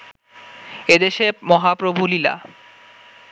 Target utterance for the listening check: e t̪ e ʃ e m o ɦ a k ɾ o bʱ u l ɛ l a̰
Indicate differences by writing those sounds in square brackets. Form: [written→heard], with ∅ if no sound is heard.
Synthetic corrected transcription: e [t̪→d̪] e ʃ e m [o→ɔ] ɦ a [k→p] ɾ o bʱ u l [ɛ→i] l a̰